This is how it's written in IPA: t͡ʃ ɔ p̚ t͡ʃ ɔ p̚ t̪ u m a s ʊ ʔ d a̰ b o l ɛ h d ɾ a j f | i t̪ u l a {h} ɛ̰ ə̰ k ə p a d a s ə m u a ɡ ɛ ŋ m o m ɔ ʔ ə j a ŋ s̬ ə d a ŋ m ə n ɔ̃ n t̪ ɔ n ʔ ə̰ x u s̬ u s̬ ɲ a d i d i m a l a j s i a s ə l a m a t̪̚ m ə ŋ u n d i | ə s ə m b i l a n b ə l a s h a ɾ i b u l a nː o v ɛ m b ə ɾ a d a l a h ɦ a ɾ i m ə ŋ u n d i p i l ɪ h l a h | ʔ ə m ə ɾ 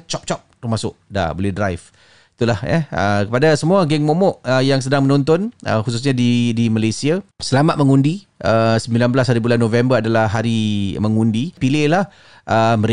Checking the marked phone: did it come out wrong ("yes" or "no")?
no